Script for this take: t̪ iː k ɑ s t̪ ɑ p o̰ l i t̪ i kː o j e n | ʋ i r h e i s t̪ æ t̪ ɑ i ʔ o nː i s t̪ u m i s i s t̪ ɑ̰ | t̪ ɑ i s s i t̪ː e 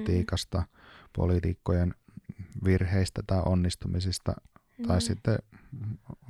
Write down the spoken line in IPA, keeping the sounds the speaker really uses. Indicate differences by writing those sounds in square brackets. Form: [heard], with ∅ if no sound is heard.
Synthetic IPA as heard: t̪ iː k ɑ s t̪ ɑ p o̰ l i t̪ i kː o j e n | ʋ i r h e i s t̪ æ t̪ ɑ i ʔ o nː i s t̪ u m i s i s t̪ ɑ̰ | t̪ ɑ i s s i t̪ː e